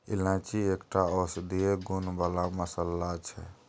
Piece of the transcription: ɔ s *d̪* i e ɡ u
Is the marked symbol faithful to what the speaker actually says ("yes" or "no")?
yes